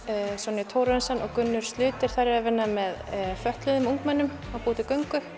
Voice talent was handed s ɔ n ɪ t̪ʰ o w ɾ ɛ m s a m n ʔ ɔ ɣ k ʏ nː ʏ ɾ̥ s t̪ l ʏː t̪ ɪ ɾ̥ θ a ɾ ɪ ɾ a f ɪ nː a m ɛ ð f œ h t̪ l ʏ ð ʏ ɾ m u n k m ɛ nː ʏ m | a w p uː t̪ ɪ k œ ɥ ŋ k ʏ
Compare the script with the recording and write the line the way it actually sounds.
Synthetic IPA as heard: s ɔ n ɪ t̪ʰ o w ɾ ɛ n s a n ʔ ɔ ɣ k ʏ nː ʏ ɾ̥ s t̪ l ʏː t̪ ɪ ɾ̥ θ a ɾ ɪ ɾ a v ɪ nː a m ɛ ð f œ h t̪ l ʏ ð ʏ m u ŋ k m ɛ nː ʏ m | a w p uː t̪ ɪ k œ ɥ ŋ k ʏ